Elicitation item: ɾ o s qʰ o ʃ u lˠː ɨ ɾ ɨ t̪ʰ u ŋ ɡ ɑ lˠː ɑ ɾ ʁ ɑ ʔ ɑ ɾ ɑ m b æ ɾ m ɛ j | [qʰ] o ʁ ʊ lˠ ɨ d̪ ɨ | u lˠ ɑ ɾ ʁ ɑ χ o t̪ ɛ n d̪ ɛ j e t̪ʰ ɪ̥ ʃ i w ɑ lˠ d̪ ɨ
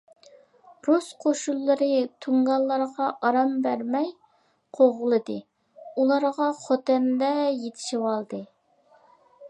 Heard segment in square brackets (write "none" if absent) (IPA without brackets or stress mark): qʰ